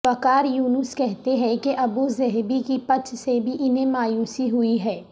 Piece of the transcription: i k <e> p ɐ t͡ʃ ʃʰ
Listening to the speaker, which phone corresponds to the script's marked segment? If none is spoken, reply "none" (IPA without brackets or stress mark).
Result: i